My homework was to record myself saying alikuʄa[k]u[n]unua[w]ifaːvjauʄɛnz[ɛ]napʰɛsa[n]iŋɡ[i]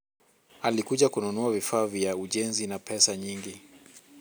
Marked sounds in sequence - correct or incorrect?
correct, correct, incorrect: v, incorrect: i, incorrect: ɲ, correct

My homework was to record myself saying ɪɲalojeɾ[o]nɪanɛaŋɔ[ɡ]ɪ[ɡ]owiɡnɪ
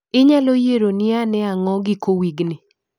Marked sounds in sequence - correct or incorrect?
correct, correct, incorrect: k

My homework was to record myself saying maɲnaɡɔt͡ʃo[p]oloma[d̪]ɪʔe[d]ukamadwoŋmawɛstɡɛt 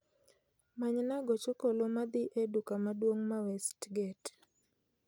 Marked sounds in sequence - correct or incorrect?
incorrect: k, correct, correct

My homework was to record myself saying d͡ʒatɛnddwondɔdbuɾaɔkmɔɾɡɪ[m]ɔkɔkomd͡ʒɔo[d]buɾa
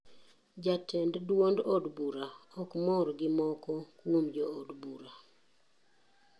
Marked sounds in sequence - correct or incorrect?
correct, correct

